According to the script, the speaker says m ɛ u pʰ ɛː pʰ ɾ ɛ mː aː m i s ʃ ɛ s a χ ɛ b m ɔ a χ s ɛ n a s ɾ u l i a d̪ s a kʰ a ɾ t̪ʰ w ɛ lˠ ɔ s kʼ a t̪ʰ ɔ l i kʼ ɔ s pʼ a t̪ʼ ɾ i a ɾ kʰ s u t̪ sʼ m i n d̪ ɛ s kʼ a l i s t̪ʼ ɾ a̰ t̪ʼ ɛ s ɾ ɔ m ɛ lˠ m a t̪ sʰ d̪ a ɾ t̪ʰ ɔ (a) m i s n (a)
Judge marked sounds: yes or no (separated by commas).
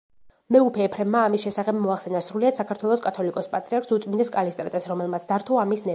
yes, no